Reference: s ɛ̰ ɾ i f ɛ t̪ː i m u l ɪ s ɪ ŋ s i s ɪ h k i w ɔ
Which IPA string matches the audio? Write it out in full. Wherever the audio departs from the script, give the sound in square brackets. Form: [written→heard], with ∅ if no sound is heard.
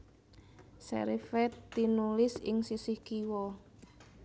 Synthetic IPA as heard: s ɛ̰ ɾ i f ɛ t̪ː i [m→n] u l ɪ s ɪ ŋ s i s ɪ h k i w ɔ